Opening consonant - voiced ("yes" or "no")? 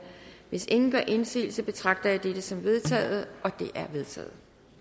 yes